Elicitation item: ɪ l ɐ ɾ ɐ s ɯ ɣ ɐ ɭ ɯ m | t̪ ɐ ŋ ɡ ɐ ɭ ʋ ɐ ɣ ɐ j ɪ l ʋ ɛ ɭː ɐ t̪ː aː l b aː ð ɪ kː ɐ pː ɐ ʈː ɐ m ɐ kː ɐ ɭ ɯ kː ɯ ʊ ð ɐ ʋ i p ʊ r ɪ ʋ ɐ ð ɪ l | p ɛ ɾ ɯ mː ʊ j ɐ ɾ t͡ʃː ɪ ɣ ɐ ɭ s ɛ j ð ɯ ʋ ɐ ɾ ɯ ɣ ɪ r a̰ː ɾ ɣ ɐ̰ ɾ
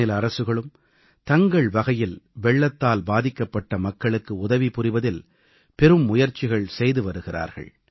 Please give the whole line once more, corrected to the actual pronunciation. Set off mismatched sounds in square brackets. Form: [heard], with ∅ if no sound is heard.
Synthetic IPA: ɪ l ɐ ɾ ɐ s ɯ ɣ ɐ ɭ ɯ m | t̪ ɐ ŋ ɡ ɐ ɭ ʋ ɐ ɣ ɐ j ɪ l ʋ ɛ ɭː ɐ t̪ː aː l b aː ð ɪ kː ɐ pː ɐ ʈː ɐ m ɐ kː ɐ ɭ ɯ kː ɯ ʊ ð ɐ ʋ i p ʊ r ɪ ʋ ɐ ð ɪ l | p ɛ ɾ ɯ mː ʊ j ɐ ɾ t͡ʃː ɪ ɣ ɐ ɭ s ɛ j ð ɯ ʋ ɐ ɾ ɯ ɣ ɪ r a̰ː ɾ ɣ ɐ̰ [ɭ]

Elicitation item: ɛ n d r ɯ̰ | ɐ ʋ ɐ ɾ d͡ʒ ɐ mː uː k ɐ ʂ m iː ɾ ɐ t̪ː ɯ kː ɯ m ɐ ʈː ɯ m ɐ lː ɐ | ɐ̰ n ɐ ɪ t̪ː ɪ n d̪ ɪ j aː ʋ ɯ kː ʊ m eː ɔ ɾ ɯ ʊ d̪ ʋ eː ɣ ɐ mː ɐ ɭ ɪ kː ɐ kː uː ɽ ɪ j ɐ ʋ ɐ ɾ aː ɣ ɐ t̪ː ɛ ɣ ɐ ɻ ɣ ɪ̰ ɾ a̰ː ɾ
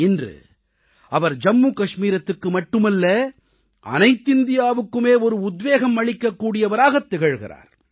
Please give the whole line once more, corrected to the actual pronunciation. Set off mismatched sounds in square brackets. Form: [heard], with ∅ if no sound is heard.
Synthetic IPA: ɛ n d r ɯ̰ | ɐ ʋ ɐ ɾ d͡ʒ ɐ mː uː k ɐ ʂ m iː ɾ ɐ t̪ː ɯ kː ɯ m ɐ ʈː ɯ m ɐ lː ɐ | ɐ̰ n ɐ ɪ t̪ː ɪ n d̪ ɪ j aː ʋ ɯ kː [ɯ] m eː ɔ ɾ ɯ ʊ d̪ ʋ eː ɣ ɐ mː ɐ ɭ ɪ kː ɐ kː uː ɽ ɪ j ɐ ʋ ɐ ɾ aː ɣ ɐ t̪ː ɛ ɣ ɐ ɻ ɣ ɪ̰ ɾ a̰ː ɾ

